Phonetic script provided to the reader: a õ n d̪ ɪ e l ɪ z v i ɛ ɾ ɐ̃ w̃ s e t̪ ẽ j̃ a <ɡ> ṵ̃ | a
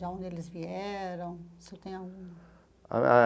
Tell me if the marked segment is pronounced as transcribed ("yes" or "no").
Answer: yes